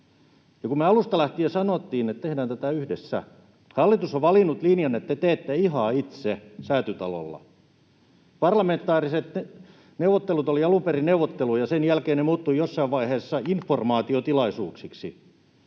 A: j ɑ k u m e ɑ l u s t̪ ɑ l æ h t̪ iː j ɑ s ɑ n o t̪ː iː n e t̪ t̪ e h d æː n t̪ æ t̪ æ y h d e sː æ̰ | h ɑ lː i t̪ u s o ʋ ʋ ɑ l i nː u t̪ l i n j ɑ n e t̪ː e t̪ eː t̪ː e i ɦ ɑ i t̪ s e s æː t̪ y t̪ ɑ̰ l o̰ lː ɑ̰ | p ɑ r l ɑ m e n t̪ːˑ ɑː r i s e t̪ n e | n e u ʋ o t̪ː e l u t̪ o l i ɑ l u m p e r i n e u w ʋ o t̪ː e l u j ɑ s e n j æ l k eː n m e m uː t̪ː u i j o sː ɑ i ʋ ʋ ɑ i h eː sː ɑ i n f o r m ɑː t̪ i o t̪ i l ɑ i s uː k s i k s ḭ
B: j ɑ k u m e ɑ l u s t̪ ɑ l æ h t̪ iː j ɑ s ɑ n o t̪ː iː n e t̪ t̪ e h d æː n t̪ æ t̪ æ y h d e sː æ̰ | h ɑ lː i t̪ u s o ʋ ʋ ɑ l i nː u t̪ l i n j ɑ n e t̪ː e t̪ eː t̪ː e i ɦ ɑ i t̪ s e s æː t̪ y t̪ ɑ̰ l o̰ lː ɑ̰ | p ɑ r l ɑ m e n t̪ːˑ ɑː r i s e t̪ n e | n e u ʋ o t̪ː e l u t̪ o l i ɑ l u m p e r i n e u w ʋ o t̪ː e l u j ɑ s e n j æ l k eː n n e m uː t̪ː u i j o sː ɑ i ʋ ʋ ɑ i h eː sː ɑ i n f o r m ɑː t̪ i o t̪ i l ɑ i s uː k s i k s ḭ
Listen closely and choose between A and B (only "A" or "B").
B